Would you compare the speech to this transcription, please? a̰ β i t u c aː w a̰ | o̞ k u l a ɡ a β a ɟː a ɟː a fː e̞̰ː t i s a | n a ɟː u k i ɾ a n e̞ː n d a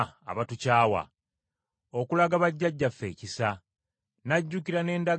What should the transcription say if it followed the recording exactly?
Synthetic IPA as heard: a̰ β a t u c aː w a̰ | o̞ k u l a ɡ a β a ɟː a ɟː a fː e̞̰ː c i s a | n a ɟː u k i ɾ a n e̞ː n d a